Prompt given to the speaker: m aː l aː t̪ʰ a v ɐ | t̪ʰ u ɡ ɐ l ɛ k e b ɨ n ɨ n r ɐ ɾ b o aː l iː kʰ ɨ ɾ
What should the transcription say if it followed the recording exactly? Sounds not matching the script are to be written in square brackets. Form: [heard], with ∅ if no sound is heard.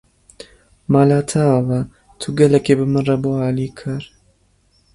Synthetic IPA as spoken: m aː l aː t̪ʰ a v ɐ | t̪ʰ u ɡ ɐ l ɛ k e b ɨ [m] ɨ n r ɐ [∅] b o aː l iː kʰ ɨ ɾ